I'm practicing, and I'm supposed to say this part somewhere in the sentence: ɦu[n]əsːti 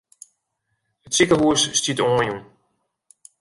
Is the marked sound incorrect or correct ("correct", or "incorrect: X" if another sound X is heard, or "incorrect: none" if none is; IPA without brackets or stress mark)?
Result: incorrect: none